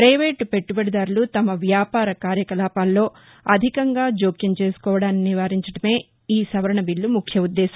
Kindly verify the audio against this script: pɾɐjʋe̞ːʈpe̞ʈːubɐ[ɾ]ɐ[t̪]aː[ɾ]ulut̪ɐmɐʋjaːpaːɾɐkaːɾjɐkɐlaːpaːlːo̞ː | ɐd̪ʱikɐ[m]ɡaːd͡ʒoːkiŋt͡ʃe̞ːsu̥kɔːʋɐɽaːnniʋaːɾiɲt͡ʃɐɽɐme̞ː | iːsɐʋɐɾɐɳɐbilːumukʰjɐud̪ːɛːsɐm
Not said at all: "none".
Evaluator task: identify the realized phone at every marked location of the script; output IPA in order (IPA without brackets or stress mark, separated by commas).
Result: ɽ, d̪, ɾ, ŋ